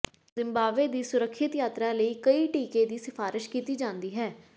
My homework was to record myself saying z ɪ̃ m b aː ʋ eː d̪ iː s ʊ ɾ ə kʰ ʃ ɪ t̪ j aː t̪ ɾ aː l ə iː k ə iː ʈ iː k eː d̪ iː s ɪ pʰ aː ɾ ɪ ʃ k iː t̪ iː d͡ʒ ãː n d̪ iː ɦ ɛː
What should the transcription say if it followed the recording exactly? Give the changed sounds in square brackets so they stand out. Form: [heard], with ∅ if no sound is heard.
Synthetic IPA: z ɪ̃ m b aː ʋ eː d̪ iː s ʊ ɾ ə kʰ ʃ ɪ t̪ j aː t̪ ɾ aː l ə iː k ə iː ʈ iː k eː d̪ iː s ɪ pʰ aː ɾ ɪ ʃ k iː t̪ iː d͡ʒ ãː n d̪ iː ɦ ɛː